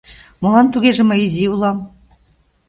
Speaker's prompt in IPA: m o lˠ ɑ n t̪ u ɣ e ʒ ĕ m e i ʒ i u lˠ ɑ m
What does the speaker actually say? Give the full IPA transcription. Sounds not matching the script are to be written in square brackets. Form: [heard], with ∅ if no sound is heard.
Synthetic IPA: m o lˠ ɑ n t̪ u ɣ e ʒ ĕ m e i [z] i u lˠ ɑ m